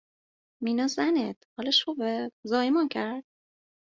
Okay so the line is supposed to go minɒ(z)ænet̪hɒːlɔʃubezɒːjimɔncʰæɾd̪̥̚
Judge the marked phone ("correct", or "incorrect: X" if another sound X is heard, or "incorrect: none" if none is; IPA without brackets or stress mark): correct